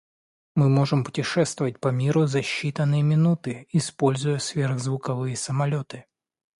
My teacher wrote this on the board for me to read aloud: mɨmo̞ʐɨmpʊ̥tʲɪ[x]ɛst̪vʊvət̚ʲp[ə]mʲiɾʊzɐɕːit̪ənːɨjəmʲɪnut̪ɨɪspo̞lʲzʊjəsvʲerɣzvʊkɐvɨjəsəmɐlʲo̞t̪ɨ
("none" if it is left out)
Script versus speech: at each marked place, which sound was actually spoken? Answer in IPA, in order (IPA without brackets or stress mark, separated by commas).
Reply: ʂ, ɐ